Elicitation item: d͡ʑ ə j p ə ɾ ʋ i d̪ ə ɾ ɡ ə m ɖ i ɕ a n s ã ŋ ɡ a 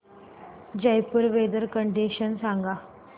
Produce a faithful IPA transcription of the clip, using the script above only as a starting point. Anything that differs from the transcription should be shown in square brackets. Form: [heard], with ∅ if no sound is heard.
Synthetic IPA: d͡ʑ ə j p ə ɾ ʋ [e] d̪ ə ɾ [k] ə [ɳ] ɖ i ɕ [ə] n s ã ŋ ɡ a